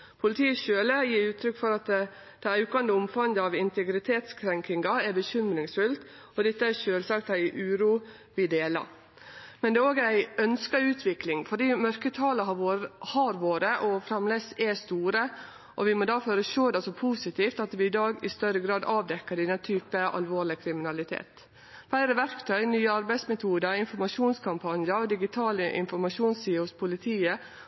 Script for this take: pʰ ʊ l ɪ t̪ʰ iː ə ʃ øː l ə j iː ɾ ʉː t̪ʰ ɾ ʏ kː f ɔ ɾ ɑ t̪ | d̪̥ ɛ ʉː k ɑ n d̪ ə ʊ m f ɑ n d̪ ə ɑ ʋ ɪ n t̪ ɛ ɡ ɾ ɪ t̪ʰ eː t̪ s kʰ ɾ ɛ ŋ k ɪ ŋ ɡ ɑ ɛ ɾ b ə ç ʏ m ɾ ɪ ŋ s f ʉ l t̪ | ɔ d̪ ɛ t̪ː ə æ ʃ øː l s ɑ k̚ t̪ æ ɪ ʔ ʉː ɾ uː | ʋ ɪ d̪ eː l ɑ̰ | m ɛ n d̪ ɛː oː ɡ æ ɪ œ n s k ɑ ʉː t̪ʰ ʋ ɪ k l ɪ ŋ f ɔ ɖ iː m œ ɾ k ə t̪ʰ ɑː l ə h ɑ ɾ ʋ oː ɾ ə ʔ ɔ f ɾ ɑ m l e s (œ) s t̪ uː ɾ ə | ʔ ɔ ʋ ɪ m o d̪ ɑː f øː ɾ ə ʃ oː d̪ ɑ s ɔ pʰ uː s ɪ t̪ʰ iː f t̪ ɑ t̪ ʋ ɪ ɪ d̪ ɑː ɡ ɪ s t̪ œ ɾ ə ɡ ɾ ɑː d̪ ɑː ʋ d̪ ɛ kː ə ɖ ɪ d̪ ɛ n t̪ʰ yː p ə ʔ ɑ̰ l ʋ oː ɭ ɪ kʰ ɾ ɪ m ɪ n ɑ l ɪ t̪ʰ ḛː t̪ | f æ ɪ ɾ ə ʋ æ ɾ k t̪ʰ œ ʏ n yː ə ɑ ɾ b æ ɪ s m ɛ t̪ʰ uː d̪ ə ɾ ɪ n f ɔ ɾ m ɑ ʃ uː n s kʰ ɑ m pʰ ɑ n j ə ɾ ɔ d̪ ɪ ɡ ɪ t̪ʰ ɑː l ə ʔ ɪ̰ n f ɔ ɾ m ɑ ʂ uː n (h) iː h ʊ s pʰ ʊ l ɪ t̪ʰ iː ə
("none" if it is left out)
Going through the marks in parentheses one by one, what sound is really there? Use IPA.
ɛ, s

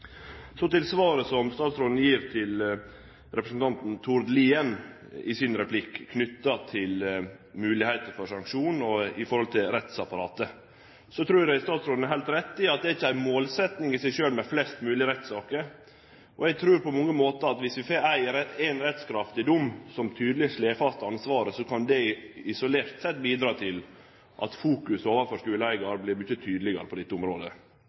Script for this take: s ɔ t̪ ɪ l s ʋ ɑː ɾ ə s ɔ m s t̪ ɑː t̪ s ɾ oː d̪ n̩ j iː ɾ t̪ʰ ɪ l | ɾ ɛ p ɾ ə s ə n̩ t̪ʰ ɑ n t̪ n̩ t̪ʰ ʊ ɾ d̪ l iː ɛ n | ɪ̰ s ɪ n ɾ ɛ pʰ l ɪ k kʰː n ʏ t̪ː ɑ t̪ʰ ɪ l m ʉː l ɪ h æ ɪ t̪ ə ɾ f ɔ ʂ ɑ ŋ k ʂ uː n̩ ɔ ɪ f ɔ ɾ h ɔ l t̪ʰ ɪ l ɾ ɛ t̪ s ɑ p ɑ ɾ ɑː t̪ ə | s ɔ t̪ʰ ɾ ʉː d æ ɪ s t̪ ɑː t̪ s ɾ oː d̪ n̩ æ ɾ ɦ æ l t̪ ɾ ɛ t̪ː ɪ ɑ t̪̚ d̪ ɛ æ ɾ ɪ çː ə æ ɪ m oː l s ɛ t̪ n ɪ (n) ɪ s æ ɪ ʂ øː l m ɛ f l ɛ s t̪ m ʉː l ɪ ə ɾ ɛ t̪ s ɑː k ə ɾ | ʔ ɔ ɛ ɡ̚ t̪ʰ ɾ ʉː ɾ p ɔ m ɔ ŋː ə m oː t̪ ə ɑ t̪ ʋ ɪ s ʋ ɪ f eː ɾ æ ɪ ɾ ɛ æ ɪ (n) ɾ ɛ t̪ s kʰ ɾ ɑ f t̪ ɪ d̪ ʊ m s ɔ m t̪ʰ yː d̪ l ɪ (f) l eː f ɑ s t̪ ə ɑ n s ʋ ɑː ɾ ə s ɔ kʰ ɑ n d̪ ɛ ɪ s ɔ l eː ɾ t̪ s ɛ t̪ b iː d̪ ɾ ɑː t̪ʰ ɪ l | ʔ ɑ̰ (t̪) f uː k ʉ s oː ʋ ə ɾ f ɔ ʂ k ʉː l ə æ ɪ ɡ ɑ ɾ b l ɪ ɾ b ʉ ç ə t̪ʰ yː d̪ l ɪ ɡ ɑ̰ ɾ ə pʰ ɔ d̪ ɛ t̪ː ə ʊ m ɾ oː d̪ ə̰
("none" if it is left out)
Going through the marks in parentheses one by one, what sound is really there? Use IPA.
ŋ, n, ʂ, t̪

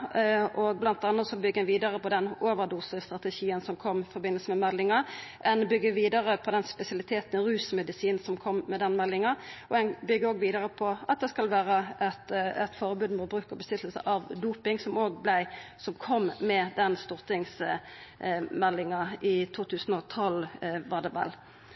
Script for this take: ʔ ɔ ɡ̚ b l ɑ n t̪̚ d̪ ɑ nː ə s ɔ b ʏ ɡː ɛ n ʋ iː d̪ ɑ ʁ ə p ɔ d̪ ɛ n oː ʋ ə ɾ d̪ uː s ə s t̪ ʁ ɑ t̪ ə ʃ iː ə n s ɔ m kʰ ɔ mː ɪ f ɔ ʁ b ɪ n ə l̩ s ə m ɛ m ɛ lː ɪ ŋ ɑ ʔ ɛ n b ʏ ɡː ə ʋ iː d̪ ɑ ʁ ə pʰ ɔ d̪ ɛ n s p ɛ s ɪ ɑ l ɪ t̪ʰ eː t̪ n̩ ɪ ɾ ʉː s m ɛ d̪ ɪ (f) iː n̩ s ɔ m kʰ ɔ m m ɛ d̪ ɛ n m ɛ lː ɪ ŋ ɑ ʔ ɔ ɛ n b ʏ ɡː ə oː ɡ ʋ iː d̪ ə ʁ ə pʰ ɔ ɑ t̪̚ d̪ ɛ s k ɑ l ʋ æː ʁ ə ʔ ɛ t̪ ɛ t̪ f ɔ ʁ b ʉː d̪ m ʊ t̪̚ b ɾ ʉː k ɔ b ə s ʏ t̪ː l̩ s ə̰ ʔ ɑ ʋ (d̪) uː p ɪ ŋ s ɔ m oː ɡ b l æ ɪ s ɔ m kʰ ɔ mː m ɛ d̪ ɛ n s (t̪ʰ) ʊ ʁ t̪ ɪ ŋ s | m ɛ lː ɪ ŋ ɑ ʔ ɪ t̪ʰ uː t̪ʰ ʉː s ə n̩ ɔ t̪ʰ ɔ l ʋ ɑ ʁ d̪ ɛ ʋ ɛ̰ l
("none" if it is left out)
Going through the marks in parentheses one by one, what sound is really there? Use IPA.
s, d̪, t̪

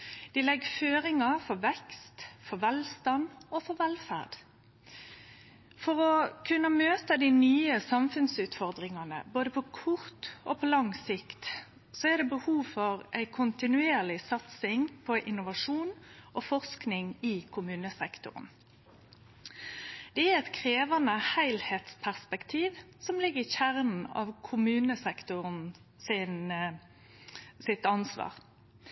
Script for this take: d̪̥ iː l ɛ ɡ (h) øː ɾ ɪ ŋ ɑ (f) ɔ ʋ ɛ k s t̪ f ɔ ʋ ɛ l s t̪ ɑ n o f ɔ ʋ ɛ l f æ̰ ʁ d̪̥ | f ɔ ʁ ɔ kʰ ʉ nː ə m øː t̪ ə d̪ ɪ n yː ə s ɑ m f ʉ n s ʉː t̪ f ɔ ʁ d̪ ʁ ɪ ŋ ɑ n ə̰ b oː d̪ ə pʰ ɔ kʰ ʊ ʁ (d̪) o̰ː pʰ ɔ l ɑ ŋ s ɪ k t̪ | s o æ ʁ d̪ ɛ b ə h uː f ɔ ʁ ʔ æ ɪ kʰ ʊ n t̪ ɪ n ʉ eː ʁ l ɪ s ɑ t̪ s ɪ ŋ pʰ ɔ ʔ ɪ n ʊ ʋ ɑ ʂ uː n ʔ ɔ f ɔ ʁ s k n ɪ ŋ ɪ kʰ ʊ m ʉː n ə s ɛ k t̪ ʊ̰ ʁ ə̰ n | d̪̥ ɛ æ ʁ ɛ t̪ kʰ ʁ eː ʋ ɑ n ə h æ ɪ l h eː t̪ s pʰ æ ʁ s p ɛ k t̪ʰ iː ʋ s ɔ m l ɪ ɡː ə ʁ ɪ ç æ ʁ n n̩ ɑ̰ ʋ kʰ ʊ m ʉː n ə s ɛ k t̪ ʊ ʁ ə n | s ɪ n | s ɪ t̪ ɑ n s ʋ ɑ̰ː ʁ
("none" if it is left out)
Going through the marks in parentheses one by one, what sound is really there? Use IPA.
f, f, t̪

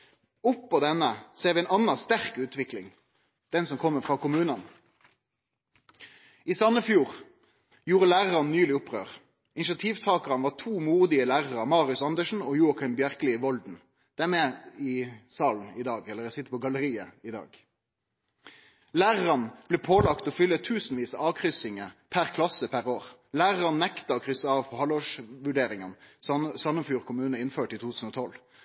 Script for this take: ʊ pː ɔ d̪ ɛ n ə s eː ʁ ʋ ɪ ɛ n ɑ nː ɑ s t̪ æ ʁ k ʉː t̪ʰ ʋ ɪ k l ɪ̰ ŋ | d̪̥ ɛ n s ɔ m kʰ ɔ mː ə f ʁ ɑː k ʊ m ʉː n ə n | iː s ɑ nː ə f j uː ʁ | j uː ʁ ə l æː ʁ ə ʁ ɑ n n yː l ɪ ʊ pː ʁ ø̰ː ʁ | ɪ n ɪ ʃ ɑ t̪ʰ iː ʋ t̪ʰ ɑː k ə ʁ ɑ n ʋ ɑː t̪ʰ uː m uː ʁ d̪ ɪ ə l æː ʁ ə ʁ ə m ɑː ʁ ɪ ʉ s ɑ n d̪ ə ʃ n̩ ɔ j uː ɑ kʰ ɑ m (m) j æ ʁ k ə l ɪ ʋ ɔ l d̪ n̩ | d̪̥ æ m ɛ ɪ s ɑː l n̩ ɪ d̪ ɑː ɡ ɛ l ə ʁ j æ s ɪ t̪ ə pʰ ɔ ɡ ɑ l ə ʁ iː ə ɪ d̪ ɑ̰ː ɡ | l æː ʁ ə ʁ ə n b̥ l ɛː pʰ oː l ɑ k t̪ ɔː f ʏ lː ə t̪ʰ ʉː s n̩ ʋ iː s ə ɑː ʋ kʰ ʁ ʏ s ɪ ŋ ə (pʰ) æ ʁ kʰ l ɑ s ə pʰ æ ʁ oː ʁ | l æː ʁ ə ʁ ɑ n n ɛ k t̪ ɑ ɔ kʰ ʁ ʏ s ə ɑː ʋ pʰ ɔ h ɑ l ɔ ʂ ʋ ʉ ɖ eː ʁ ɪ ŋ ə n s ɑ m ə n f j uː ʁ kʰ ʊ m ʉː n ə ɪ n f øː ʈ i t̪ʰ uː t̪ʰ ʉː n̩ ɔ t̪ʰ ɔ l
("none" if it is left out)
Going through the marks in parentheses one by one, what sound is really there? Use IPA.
b, pʰ

